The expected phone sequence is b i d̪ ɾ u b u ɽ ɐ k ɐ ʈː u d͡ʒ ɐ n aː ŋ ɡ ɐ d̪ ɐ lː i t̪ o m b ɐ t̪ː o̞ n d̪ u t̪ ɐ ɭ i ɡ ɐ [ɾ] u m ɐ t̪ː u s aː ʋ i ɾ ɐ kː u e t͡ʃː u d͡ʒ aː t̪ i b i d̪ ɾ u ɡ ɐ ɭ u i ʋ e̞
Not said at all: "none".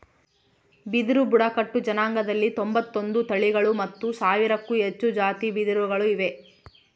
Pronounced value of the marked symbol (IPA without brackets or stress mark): ɭ